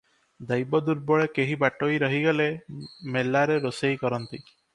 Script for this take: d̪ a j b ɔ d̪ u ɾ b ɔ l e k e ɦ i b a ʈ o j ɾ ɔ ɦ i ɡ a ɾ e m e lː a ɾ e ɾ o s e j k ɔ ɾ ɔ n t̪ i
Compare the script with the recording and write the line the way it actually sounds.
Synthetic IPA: d̪ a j b ɔ d̪ u ɾ b ɔ ɭ e k e ɦ i b a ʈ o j ɾ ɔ ɦ i ɡ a l e m e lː a ɾ e ɾ o s e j k ɔ ɾ ɔ n t̪ i